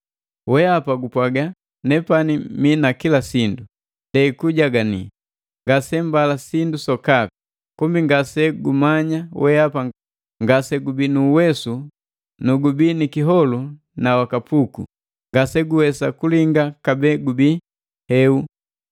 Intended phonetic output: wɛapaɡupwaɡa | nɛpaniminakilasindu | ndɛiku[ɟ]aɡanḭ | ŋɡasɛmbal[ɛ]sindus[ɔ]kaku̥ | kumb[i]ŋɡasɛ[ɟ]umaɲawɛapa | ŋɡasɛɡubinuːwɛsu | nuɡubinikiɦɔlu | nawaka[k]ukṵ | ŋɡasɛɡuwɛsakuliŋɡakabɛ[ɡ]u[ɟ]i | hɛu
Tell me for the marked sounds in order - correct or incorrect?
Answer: correct, incorrect, correct, correct, incorrect, incorrect, correct, incorrect

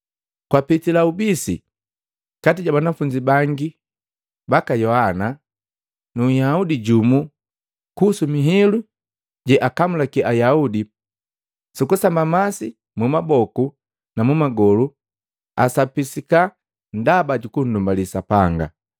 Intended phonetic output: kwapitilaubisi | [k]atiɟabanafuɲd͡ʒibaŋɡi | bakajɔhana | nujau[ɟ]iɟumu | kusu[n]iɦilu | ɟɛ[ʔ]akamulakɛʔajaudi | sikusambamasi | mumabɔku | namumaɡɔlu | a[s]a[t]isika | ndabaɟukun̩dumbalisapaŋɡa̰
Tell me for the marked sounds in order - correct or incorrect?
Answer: correct, incorrect, incorrect, correct, correct, incorrect

